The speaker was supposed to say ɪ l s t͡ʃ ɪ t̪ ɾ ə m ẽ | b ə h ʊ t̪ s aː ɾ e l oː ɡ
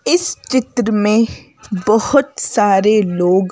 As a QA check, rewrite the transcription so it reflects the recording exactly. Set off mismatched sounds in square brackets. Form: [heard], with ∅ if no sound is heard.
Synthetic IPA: ɪ [∅] s t͡ʃ ɪ t̪ ɾ ə m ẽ | b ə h ʊ t̪ s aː ɾ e l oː ɡ